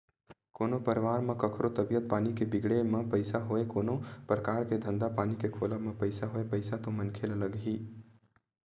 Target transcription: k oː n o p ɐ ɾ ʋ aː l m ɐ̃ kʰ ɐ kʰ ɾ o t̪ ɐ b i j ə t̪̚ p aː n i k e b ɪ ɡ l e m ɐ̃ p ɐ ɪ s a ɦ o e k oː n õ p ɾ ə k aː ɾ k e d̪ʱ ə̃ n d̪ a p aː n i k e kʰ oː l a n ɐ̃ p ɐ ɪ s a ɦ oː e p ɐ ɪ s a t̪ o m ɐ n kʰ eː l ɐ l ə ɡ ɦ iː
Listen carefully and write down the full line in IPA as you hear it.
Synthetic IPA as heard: k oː n o p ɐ ɾ ʋ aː ɾ m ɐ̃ k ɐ kʰ ɾ o t̪ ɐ b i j ə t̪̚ p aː n i k e b ɪ ɡ ɽ e m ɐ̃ p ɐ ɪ s a ɦ o e k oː n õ p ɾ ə k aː ɾ k e d̪ʱ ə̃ n d̪ a p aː n i k e kʰ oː l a m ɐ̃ p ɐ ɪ s a ɦ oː e p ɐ ɪ s a t̪ o m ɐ n kʰ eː l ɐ l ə ɡ ɦ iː